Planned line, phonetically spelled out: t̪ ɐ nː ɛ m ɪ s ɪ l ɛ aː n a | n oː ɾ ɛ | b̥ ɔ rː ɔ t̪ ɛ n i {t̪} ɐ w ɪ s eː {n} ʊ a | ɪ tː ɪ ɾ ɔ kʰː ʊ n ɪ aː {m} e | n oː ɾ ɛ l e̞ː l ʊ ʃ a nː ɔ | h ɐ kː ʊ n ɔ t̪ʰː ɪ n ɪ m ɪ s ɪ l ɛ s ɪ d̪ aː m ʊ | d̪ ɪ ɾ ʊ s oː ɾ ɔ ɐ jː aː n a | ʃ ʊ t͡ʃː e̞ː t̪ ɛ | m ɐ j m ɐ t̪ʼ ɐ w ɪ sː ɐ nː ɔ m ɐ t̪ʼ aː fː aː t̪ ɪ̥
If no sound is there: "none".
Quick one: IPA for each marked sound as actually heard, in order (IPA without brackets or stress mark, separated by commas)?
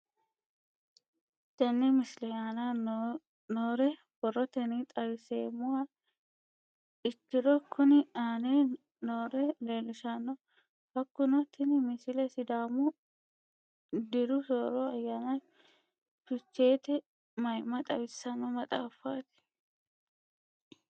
t̪ʼ, m, n